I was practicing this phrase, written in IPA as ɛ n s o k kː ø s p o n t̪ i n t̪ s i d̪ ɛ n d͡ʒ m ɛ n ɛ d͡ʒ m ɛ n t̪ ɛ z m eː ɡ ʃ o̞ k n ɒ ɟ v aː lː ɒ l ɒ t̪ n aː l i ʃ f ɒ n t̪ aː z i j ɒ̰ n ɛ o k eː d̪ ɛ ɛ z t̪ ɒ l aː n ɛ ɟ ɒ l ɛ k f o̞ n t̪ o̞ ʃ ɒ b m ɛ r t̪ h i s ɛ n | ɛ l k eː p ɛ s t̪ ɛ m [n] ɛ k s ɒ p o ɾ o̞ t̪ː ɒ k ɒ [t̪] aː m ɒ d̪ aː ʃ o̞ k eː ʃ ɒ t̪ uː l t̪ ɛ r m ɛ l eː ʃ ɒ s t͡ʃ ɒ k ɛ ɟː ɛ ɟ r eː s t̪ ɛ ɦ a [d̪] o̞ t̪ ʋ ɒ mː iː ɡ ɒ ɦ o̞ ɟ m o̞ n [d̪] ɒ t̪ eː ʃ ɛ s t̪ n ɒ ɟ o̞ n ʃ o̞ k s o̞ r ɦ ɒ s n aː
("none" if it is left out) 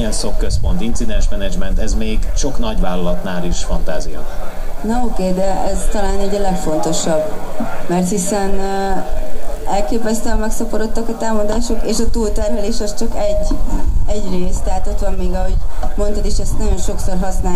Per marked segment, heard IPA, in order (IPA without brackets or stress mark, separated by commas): m, t̪, t̪, t̪